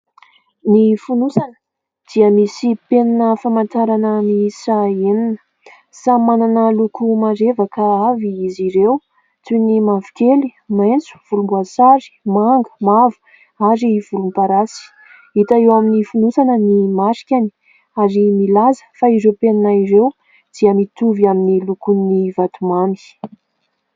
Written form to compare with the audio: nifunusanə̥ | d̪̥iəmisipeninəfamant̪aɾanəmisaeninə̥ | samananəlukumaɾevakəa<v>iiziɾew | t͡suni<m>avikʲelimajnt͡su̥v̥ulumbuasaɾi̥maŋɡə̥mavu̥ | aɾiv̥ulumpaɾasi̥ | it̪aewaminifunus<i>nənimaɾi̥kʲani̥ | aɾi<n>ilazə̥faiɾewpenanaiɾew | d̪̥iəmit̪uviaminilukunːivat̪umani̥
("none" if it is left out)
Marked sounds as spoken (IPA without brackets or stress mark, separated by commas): v, m, a, m